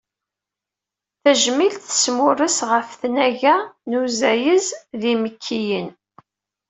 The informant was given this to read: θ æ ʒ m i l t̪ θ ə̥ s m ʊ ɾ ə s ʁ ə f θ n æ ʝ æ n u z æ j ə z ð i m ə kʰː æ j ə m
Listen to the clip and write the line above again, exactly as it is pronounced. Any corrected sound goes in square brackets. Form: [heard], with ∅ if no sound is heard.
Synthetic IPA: θ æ ʒ m i l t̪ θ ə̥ s m ʊ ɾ ə s ʁ ə f θ n æ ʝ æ n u z æ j ə z ð i m ə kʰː [i] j ə [n]